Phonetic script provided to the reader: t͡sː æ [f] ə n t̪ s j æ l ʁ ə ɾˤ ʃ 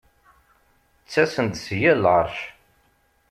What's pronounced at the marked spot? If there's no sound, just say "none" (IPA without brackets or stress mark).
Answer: s